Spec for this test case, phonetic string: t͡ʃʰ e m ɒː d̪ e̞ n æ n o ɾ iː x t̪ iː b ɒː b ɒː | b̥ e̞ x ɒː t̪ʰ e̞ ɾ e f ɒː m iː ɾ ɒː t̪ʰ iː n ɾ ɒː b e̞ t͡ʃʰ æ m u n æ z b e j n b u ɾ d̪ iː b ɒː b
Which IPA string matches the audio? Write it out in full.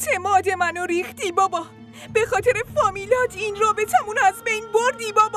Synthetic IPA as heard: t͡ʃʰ e m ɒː d̪ e̞ m æ n o ɾ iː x t̪ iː b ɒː b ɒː | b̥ e̞ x ɒː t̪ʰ e̞ ɾ e f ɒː m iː l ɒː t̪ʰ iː n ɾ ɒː b e̞ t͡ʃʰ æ m u n æ z b e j n b o ɾ d̪ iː b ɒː b